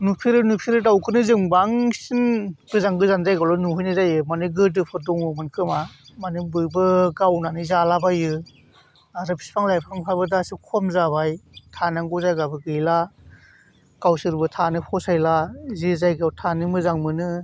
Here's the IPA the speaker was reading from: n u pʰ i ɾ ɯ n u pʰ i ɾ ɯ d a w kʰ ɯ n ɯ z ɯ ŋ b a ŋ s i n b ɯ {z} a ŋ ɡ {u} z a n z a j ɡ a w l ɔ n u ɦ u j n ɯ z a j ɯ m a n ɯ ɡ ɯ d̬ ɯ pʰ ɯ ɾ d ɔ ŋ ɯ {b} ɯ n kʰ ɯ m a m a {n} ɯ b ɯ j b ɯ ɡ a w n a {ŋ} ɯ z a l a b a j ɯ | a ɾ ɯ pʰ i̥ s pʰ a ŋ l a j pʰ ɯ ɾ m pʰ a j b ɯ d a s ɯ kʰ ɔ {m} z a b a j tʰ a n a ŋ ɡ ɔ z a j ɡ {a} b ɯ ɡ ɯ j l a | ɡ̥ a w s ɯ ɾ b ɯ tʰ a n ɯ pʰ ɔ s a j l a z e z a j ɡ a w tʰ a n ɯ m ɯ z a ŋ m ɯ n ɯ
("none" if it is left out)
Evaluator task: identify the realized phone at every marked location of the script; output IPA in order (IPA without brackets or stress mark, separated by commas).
z, ɯ, m, n, n, m, a